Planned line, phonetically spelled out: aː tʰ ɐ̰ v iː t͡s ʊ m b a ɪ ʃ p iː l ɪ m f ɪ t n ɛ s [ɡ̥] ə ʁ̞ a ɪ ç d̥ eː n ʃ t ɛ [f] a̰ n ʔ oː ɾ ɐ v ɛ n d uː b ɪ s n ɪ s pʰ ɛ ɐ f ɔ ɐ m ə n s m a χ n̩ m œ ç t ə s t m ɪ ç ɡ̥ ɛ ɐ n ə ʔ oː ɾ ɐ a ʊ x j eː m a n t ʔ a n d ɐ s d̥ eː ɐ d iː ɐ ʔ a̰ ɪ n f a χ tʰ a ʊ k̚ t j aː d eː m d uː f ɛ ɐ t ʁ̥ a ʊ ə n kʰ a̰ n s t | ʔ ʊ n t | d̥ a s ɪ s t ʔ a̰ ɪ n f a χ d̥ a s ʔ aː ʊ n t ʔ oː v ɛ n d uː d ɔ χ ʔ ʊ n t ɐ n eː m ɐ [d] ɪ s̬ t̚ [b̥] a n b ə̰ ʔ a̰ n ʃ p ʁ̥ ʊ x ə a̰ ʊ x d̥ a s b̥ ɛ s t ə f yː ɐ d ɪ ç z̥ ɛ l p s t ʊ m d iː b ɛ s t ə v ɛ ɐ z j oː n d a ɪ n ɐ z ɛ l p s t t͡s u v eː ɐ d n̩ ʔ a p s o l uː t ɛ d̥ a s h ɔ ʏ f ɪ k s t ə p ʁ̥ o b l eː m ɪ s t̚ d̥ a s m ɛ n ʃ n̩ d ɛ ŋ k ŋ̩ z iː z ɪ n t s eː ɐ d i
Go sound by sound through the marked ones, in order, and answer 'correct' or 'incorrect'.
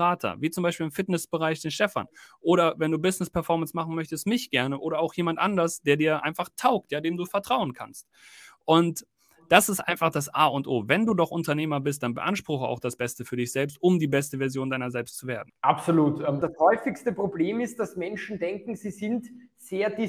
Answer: incorrect, correct, incorrect, incorrect

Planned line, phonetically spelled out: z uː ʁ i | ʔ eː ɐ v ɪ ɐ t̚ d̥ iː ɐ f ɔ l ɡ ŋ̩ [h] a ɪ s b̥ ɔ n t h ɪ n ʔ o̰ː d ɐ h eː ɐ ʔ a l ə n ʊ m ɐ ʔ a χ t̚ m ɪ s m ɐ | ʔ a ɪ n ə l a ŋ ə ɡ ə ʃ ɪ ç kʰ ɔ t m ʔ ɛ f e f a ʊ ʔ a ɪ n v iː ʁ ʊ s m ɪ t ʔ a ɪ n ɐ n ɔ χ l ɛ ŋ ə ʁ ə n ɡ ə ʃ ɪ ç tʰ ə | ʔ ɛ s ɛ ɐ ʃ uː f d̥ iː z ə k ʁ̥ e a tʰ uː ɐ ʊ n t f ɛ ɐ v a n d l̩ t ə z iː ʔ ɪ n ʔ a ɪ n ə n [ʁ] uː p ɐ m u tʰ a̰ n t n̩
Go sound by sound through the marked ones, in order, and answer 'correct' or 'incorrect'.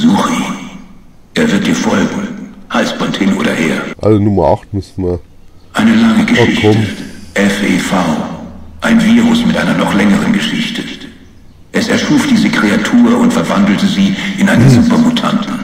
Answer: correct, incorrect

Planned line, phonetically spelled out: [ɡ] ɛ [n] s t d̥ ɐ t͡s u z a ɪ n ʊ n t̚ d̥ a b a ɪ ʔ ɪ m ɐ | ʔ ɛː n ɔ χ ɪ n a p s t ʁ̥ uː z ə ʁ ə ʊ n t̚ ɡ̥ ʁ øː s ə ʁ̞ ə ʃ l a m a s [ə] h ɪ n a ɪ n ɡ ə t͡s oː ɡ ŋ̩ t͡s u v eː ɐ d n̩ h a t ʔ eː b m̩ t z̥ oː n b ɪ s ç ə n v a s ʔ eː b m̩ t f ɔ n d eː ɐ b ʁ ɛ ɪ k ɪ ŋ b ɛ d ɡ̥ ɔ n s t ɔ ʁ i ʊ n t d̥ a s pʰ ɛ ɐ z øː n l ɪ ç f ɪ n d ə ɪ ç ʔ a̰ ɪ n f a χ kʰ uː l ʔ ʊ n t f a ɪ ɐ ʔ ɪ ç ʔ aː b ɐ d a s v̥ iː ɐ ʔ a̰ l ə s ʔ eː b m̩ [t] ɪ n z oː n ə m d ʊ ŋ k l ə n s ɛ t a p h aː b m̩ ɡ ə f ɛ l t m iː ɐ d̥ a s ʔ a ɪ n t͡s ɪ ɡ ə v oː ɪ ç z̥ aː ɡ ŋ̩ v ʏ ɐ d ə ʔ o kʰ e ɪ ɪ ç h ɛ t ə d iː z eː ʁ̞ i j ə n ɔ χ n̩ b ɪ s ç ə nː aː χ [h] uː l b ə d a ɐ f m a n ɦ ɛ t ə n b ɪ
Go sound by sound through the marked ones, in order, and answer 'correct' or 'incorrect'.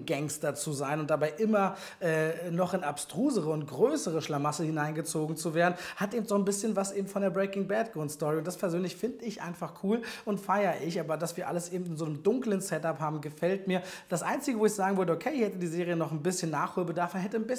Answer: correct, incorrect, correct, correct, correct

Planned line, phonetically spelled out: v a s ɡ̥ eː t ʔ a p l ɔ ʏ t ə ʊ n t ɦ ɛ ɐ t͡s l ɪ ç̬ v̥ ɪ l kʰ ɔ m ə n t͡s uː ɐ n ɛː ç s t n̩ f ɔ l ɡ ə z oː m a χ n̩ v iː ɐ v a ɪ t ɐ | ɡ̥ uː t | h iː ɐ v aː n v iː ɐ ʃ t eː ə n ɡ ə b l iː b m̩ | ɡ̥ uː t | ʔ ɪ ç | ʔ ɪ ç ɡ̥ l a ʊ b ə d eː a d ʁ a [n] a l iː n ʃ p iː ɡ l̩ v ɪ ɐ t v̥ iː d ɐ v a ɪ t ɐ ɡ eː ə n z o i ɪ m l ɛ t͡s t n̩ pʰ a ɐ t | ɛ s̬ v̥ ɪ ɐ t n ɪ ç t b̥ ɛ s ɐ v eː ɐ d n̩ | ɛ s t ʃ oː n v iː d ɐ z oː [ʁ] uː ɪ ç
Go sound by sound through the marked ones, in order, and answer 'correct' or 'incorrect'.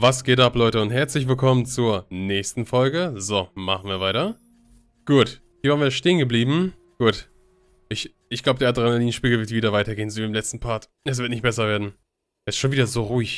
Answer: correct, correct

